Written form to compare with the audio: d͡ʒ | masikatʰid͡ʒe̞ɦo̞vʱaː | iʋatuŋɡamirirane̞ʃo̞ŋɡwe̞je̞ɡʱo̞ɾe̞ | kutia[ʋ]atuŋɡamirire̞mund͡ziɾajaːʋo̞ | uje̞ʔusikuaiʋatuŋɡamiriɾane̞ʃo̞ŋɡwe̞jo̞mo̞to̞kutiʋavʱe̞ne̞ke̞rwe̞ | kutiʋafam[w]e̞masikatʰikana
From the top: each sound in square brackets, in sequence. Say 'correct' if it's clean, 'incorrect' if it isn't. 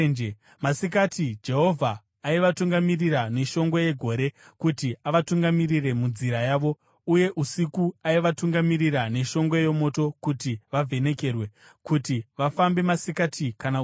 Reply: correct, incorrect

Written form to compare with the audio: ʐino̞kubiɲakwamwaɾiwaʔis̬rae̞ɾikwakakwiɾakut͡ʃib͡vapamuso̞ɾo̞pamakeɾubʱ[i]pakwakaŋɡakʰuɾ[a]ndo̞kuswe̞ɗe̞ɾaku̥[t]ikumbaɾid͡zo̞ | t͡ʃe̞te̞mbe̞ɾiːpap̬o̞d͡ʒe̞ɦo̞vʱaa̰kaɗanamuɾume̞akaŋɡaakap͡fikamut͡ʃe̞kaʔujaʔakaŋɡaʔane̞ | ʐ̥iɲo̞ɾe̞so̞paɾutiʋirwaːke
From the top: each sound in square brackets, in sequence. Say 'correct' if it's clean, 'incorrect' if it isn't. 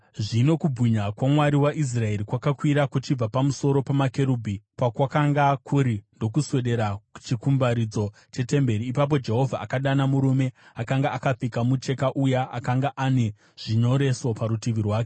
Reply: correct, incorrect, incorrect

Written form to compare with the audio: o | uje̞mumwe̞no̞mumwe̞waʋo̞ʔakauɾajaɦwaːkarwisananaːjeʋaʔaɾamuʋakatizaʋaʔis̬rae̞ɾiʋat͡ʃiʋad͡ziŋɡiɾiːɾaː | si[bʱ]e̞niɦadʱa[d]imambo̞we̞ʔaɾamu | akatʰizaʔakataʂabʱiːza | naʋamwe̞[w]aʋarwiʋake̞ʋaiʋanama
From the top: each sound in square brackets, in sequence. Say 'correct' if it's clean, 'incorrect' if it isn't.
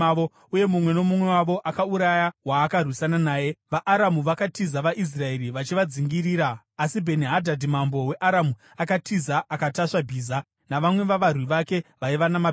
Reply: correct, correct, incorrect

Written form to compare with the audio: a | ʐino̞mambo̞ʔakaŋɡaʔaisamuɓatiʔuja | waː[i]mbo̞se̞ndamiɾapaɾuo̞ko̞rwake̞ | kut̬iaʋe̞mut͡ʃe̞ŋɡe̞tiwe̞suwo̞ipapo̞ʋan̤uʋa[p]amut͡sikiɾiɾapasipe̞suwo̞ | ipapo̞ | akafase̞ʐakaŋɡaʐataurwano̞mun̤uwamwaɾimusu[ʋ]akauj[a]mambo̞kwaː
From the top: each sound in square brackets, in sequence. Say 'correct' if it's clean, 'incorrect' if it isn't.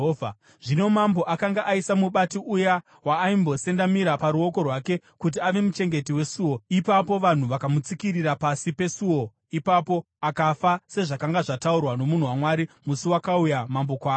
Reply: correct, incorrect, incorrect, correct

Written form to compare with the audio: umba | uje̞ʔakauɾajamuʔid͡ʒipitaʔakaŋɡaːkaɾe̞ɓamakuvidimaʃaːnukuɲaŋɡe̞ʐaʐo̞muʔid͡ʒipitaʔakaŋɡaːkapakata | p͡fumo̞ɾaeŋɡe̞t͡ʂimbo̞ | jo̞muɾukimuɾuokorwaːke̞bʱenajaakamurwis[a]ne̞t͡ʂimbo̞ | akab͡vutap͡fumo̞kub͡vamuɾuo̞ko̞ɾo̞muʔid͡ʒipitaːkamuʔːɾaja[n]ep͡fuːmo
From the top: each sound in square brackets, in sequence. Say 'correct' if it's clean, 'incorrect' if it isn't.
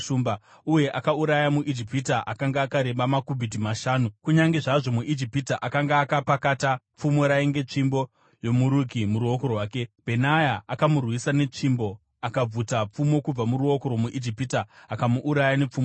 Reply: correct, correct

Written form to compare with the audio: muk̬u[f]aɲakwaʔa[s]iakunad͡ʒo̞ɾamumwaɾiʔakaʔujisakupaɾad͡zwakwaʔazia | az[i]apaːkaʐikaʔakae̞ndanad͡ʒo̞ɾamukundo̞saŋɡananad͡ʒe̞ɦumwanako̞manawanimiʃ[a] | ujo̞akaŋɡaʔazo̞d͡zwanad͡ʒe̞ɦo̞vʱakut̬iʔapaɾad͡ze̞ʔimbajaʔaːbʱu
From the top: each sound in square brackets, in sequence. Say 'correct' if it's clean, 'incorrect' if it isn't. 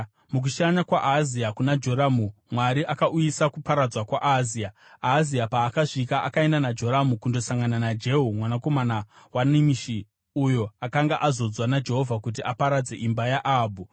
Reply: incorrect, incorrect, correct, incorrect

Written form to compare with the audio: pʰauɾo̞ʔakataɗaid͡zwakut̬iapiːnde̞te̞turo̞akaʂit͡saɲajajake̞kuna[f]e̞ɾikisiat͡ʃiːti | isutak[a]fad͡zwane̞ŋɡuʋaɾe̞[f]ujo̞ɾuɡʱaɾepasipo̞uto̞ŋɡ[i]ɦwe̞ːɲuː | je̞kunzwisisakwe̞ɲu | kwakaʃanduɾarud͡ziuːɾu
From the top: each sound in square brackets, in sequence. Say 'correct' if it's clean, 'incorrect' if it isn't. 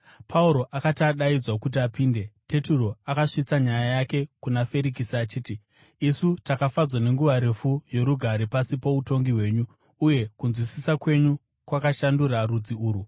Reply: correct, correct, correct, correct

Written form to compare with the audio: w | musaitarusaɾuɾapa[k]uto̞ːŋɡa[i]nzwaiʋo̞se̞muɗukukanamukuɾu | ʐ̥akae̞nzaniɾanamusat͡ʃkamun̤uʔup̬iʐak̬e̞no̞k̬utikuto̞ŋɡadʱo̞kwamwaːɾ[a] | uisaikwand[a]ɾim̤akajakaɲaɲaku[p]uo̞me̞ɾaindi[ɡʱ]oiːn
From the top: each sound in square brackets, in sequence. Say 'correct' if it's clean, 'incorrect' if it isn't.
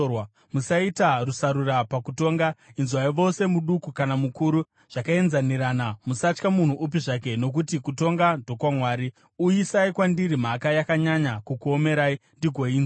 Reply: correct, correct, incorrect, incorrect, incorrect, correct

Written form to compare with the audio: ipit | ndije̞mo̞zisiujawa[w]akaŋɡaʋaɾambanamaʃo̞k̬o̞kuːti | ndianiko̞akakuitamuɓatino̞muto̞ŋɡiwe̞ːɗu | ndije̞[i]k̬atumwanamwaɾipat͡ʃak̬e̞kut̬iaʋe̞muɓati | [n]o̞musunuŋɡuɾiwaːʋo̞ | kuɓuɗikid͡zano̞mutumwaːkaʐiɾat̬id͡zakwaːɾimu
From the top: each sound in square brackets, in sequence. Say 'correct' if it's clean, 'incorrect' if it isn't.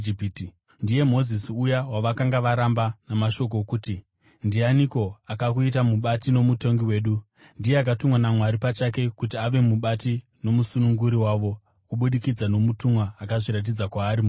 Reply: incorrect, incorrect, correct

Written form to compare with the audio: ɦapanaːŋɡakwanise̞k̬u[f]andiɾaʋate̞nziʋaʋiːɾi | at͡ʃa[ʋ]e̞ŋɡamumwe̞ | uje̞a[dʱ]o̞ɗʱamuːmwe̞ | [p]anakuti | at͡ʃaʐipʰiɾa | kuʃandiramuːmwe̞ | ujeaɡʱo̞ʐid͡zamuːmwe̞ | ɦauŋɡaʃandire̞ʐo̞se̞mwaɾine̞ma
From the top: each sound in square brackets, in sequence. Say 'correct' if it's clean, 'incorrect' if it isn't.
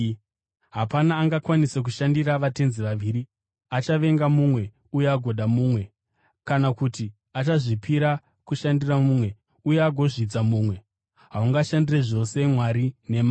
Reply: incorrect, correct, incorrect, incorrect

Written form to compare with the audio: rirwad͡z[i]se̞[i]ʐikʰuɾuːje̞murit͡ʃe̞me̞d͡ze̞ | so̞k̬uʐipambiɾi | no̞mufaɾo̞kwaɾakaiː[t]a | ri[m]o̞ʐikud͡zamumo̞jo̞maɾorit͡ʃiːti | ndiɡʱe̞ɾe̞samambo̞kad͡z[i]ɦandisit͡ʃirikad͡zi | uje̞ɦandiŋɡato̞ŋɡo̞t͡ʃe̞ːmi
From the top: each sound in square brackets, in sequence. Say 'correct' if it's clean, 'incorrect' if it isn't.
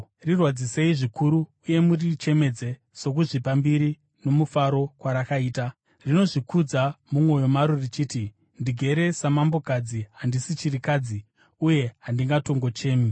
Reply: correct, correct, correct, incorrect, correct

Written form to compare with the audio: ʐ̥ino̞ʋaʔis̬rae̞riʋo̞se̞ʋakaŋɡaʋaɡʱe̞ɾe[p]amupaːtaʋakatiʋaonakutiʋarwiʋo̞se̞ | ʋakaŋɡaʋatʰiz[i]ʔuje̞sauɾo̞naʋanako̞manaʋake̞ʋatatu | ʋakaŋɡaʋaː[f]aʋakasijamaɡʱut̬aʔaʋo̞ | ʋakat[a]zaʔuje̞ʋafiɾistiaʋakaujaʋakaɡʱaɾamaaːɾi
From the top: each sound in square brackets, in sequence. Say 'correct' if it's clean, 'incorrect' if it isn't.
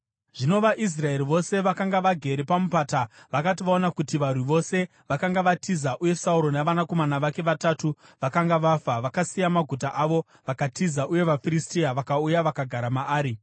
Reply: correct, incorrect, correct, incorrect

